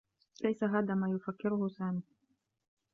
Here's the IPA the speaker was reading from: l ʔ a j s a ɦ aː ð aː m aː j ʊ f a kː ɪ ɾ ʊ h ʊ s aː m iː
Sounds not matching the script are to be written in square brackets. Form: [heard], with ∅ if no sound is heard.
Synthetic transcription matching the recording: l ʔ a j s a ɦ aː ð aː m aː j ʊ f a kː ɪ ɾ ʊ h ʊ s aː m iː